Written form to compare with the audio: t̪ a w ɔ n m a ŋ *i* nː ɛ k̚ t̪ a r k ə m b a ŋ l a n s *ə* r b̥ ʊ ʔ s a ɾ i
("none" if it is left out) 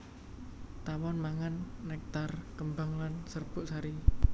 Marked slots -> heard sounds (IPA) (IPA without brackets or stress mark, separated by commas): a, ə